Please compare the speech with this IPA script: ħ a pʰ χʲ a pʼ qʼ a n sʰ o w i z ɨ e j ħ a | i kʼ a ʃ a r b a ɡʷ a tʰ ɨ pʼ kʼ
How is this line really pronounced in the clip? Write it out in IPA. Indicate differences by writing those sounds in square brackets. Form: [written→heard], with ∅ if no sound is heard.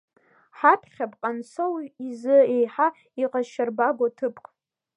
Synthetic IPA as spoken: ħ a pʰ χʲ a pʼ qʼ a n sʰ o w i z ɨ e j ħ a | i [kʼ→qʼ] a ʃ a r b a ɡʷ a tʰ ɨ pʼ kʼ